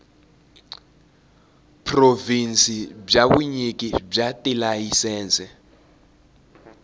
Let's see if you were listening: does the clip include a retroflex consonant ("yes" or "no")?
yes